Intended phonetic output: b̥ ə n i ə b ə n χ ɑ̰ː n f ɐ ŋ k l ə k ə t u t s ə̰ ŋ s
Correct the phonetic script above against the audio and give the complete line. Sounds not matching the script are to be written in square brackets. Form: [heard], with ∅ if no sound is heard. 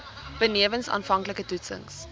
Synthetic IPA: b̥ ə n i ə [v] ə n [s] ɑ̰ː n f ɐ ŋ k l ə k ə t u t s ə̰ ŋ s